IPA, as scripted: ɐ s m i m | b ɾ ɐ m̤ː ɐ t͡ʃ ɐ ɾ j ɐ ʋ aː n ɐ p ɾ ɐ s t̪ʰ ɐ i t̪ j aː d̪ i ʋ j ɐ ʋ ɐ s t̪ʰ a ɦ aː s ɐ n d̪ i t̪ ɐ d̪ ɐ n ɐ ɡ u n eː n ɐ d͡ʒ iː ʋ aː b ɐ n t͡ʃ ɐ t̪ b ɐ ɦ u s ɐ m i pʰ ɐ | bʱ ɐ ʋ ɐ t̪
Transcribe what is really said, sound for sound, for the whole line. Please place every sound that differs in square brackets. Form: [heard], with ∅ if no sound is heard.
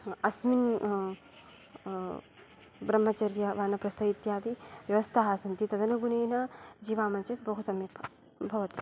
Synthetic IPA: ɐ s m i [n] | b ɾ ɐ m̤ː ɐ t͡ʃ ɐ ɾ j ɐ ʋ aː n ɐ p ɾ ɐ s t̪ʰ ɐ i t̪ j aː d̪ i ʋ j ɐ ʋ ɐ s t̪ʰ a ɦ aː s ɐ n [t̪] i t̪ ɐ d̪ ɐ n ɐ ɡ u n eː n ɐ d͡ʒ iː ʋ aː [m] ɐ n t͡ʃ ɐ t̪ b ɐ ɦ u s ɐ m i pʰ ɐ | bʱ ɐ ʋ ɐ t̪